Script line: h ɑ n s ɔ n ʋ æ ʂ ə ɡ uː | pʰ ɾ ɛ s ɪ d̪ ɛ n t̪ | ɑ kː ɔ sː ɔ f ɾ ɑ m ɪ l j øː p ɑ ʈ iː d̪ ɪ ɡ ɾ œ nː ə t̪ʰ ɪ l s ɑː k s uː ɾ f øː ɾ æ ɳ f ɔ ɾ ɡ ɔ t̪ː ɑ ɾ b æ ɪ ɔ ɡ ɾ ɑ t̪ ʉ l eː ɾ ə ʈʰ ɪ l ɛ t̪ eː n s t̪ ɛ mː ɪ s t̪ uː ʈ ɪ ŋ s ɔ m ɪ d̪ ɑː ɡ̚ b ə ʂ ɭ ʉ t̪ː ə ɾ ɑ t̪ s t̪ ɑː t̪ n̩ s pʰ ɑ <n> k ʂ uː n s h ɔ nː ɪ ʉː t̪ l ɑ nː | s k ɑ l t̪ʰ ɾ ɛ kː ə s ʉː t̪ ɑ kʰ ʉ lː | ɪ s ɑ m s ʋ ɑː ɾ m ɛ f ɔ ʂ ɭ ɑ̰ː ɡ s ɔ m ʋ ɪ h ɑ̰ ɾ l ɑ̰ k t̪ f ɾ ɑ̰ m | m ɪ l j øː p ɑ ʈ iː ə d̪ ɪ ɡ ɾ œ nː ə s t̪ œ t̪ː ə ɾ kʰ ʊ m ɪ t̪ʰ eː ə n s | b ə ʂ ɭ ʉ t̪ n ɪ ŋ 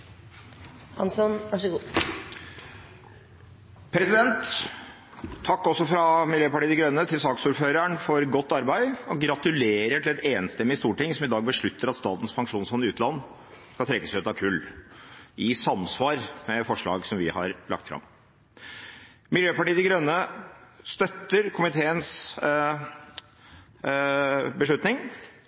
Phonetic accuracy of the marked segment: incorrect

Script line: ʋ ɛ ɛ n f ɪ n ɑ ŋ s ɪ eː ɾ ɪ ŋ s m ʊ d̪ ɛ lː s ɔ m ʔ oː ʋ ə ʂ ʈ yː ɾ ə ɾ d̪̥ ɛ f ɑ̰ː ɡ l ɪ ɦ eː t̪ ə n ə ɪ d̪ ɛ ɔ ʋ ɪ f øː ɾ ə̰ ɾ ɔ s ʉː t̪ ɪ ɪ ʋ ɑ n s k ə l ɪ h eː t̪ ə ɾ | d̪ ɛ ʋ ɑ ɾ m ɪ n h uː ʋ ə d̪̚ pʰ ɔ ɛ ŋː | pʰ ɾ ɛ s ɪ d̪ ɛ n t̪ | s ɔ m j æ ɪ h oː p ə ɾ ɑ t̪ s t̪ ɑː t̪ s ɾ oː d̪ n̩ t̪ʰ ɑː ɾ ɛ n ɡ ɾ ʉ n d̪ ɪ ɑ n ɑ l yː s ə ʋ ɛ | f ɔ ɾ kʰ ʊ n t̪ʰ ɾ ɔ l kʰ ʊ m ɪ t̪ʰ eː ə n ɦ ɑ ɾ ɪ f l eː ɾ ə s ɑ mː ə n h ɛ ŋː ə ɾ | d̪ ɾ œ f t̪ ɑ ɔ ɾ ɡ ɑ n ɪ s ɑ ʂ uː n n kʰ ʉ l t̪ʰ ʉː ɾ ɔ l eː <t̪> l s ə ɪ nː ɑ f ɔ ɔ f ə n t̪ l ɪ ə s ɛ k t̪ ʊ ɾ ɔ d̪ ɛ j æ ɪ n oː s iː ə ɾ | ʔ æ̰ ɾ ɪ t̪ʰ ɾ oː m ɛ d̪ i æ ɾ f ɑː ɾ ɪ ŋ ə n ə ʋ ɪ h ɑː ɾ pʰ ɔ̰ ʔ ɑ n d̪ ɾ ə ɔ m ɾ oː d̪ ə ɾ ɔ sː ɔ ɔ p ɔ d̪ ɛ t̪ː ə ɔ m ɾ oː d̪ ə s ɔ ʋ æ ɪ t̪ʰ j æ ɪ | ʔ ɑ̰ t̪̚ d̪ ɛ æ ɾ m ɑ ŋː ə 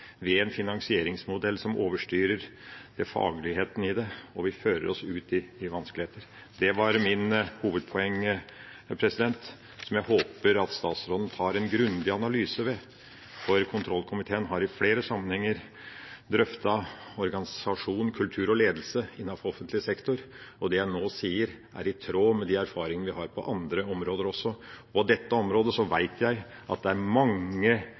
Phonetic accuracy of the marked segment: incorrect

